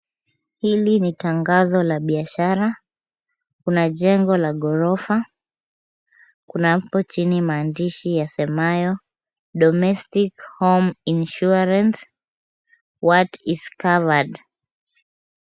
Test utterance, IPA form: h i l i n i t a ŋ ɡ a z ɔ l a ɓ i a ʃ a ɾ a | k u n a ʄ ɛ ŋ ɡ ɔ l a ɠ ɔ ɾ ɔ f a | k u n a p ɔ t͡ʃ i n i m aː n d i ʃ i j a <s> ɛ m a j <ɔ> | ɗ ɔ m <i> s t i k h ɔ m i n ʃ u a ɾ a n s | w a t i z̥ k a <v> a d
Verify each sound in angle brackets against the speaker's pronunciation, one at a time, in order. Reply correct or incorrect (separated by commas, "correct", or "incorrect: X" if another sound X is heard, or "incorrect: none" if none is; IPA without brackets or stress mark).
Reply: correct, correct, incorrect: ɛ, correct